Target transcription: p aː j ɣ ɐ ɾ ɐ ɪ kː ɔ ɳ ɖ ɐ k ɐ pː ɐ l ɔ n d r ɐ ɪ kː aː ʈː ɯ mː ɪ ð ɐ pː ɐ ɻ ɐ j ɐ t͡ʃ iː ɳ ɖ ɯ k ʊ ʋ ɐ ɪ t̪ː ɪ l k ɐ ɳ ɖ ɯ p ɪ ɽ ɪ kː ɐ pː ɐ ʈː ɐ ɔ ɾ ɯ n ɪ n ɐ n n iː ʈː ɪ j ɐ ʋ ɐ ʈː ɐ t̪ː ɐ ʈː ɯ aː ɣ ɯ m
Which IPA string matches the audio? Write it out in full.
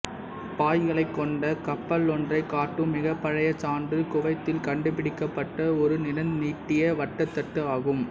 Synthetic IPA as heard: p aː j ɣ ɐ ɭ ɐ ɪ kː ɔ ɳ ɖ ɐ k ɐ pː ɐ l ɔ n d r ɐ ɪ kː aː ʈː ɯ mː ɪ ɣ ɐ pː ɐ ɻ ɐ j ɐ t͡ʃ aː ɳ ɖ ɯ k ʊ ʋ ɐ ɪ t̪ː ɪ l k ɐ ɳ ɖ ɯ p ɪ ɽ ɪ kː ɐ pː ɐ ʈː ɐ ɔ ɾ ɯ n ɪ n ɐ n n iː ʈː ɪ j ɐ ʋ ɐ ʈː ɐ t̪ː ɐ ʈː ɯ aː ɣ ɯ m